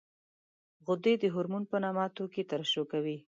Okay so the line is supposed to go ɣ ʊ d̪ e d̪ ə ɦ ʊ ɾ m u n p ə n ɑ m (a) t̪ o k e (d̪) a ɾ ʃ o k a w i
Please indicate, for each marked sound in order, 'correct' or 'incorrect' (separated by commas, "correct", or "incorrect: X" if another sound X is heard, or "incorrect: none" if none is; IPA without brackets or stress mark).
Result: incorrect: ɑ, incorrect: t̪